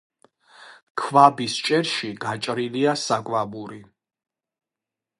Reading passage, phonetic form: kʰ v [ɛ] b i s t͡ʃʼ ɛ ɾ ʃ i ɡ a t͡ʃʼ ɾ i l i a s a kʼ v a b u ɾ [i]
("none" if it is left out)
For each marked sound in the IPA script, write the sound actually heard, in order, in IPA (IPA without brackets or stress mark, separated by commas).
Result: a, i